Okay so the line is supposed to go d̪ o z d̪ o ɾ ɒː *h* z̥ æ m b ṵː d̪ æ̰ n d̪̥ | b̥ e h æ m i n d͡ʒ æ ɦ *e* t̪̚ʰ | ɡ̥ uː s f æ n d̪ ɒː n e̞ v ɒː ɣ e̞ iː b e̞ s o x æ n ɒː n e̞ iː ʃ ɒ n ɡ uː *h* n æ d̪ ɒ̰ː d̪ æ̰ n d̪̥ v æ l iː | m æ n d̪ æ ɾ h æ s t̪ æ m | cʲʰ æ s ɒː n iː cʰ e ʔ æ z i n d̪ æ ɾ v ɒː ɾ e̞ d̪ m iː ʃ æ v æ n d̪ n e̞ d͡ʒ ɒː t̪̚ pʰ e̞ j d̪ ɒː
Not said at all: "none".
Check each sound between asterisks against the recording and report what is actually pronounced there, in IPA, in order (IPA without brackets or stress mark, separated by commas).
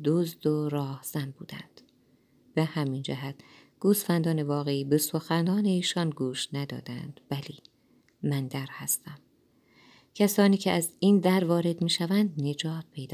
h, æ, ʃ